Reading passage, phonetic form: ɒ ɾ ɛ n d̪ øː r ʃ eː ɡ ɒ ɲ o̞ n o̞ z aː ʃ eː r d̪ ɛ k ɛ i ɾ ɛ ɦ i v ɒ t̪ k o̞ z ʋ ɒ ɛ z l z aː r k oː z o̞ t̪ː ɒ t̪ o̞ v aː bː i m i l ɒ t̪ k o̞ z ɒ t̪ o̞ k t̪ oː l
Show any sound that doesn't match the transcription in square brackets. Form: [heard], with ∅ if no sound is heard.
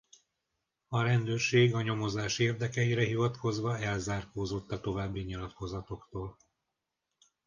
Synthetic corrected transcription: ɒ ɾ ɛ n d̪ øː r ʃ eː ɡ ɒ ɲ o̞ [m] o̞ z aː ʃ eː r d̪ ɛ k ɛ i ɾ ɛ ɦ i v ɒ t̪ k o̞ z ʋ ɒ ɛ [∅] l z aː r k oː z o̞ t̪ː ɒ t̪ o̞ v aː bː i [ɲ] i l ɒ t̪ k o̞ z ɒ t̪ o̞ k t̪ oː l